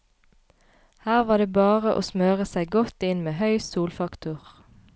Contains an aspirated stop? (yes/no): no